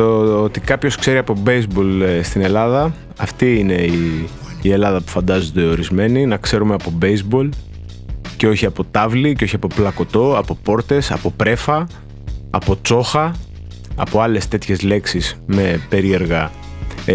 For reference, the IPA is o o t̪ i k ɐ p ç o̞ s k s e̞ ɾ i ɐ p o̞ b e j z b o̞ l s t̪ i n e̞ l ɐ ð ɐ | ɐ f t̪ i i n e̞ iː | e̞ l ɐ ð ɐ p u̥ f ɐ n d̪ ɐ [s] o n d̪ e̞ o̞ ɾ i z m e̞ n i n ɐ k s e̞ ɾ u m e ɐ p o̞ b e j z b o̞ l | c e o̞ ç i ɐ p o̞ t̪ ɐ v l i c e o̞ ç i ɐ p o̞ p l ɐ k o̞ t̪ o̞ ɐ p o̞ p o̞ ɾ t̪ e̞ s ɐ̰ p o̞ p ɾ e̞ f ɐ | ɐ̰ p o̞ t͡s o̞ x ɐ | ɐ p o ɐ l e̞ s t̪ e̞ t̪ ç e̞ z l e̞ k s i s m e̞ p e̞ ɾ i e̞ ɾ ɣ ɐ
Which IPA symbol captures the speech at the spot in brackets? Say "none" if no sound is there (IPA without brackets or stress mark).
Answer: z